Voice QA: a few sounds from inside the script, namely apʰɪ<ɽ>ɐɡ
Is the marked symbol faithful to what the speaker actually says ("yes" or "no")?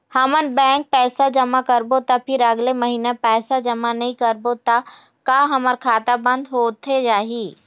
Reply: no